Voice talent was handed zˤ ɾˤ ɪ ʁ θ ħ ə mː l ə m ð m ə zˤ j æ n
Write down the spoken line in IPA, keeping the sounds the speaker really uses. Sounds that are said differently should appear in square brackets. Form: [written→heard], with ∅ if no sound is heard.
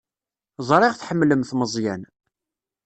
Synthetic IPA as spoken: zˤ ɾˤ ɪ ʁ θ ħ ə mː l ə m [ð→θ] m ə zˤ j æ n